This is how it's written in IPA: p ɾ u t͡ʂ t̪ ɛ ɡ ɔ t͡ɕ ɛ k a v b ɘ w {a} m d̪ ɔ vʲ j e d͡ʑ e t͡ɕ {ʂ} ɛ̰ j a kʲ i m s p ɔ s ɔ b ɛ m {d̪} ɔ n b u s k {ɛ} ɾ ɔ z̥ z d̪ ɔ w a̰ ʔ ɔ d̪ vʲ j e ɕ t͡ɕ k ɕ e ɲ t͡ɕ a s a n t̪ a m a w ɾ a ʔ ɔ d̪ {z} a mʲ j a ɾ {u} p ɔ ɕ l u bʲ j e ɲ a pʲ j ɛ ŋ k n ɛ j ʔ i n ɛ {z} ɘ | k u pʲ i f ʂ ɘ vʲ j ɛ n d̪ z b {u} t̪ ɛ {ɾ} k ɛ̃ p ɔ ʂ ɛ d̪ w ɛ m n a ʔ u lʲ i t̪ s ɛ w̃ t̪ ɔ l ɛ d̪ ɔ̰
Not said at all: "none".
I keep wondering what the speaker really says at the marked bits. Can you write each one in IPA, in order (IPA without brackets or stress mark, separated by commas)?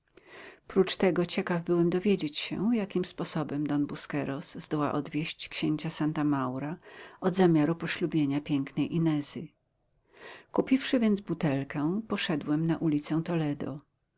ɛ, ɕ, d̪, ɛ, z, u, z, u, l